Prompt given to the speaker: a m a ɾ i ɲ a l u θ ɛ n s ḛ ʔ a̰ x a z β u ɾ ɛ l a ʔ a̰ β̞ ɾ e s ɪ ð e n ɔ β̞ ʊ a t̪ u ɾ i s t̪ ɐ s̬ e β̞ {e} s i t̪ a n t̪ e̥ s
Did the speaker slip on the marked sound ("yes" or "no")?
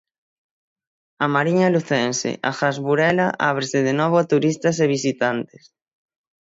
yes